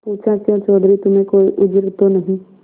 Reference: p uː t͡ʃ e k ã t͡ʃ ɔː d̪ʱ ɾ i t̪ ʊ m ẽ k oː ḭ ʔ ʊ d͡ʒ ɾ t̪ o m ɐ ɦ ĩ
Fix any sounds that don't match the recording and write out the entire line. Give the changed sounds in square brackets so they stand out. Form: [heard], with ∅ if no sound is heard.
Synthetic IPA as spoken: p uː t͡ʃ [a] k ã t͡ʃ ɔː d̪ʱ ɾ i t̪ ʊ m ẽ k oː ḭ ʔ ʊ d͡ʒ ɾ t̪ o [n] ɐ ɦ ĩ